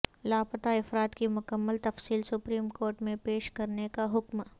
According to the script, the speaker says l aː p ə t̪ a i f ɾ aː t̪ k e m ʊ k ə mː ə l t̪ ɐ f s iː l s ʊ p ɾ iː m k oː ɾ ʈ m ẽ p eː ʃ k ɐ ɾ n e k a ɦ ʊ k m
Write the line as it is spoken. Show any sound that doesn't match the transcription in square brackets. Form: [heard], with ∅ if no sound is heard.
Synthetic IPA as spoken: l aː p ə t̪ a [ɪ] f ɾ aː t̪ k [i] m ʊ k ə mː ə l t̪ ɐ f s iː l s ʊ p ɾ iː m k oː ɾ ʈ m ẽ p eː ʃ k ɐ ɾ n e k a ɦ ʊ k m